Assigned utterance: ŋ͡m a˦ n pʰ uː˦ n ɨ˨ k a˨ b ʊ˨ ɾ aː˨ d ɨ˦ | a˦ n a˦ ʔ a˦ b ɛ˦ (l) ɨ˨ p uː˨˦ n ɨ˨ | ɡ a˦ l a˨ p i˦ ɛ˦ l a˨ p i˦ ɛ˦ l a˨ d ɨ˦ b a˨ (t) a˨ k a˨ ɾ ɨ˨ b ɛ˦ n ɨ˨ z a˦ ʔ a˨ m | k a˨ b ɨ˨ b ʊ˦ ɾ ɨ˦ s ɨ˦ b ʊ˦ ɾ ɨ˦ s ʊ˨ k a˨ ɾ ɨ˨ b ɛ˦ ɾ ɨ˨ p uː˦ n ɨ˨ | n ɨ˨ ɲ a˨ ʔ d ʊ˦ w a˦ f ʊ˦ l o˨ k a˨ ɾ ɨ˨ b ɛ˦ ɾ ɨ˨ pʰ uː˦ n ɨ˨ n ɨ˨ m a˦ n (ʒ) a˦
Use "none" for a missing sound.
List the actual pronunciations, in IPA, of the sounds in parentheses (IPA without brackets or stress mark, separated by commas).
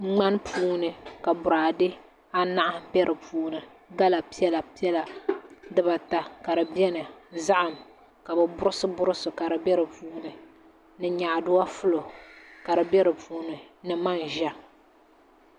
ɾ, t, ʒ